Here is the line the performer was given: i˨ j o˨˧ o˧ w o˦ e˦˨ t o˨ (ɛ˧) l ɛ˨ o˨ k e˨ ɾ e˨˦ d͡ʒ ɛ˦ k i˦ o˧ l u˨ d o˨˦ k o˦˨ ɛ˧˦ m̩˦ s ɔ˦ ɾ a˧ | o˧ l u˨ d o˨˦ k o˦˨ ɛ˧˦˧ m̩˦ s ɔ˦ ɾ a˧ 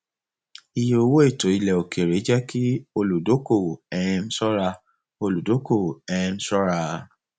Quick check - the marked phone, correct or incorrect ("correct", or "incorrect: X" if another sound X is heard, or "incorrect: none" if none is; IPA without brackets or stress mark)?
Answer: incorrect: i˧